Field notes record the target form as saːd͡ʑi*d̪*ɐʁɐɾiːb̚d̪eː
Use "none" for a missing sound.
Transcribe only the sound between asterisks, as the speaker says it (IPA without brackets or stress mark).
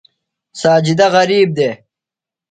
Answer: d̪